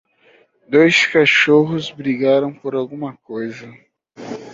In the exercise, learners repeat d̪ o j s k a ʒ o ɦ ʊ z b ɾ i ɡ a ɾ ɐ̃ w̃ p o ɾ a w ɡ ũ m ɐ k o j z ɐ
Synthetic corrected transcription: d̪ o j s k a ʃ o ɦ ʊ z b ɾ i ɡ a ɾ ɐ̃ w̃ p o ɾ a w ɡ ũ m ɐ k o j z ɐ

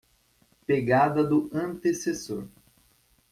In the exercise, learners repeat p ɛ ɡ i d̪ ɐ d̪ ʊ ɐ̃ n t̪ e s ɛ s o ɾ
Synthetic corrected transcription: p e ɡ a d̪ ɐ d̪ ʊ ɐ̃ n t̪ e s e s o ɾ

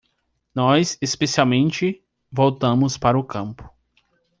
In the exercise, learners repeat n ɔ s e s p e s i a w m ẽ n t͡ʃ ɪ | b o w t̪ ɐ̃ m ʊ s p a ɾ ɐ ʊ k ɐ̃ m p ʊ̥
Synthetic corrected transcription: n ɔ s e s p e s i a w m ẽ n t͡ʃ ɪ | v o w t̪ ɐ̃ m ʊ s p a ɾ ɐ ʊ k ɐ̃ m p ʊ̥

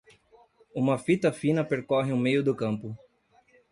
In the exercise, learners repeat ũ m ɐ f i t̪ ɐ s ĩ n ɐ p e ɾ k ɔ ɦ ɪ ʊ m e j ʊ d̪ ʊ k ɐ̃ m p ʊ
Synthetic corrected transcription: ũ m ɐ f i t̪ ɐ f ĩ n ɐ p e ɾ k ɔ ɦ ɪ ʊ m e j ʊ d̪ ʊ k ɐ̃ m p ʊ

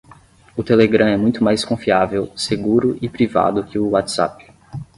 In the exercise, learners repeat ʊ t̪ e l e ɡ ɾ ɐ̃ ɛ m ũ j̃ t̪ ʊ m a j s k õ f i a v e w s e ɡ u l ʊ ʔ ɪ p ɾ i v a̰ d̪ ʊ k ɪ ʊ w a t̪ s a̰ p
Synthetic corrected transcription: ʊ t̪ e l e ɡ ɾ ɐ̃ ɛ m ũ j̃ t̪ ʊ m a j s k õ f i a v e w s e ɡ u ɾ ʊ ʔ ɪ p ɾ i v a̰ d̪ ʊ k ɪ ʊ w a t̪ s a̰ p

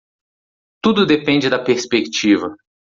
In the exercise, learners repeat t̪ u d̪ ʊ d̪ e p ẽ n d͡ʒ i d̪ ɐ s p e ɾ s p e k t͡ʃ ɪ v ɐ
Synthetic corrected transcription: t̪ u d̪ ʊ d̪ e p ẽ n d͡ʒ ɪ d̪ ɐ p e ɾ s p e k t͡ʃ i v ɐ

